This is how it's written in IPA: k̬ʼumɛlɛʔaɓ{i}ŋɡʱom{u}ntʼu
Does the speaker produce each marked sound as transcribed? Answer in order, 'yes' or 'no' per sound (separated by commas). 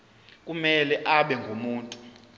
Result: no, no